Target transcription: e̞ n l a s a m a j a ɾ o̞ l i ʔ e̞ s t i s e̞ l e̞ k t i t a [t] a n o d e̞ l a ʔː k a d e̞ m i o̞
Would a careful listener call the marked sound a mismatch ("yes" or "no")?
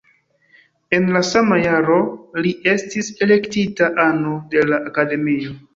yes